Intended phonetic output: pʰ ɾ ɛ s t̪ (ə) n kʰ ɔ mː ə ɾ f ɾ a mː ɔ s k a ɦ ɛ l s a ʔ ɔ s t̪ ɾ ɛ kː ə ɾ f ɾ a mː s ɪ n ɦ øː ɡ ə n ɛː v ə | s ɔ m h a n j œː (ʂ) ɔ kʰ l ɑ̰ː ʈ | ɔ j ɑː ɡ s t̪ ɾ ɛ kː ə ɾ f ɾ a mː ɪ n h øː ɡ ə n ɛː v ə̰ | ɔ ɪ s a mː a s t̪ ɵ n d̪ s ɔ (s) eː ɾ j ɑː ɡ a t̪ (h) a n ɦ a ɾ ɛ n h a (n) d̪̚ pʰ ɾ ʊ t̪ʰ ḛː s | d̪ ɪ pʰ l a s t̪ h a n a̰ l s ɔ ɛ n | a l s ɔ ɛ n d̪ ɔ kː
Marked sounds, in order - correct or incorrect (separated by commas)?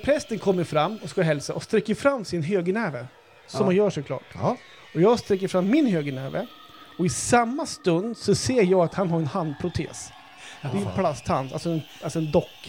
correct, correct, correct, correct, correct